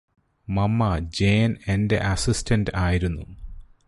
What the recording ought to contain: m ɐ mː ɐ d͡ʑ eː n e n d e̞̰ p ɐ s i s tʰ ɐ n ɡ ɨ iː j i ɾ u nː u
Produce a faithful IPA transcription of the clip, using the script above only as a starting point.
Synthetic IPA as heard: m ɐ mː ɐ d͡ʑ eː n e n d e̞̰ ʔ ɐ s i s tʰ ɐ n d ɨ aː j i ɾ u nː u